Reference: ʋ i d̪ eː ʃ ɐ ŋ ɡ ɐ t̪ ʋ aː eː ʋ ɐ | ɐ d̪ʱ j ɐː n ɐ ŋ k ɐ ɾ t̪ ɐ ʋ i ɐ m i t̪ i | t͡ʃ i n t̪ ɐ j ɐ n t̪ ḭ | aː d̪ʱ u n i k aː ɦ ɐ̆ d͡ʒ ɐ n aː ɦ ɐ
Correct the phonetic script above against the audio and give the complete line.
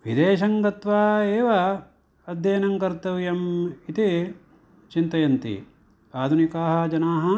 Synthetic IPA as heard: ʋ i d̪ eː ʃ ɐ ŋ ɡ ɐ t̪ ʋ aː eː ʋ ɐ | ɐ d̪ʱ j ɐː n ɐ ŋ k ɐ ɾ t̪ ɐ ʋ j ɐ m i t̪ i | t͡ʃ i n t̪ ɐ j ɐ n t̪ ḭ | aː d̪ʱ u n i k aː ɦ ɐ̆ d͡ʒ ɐ n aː ɦ ɐ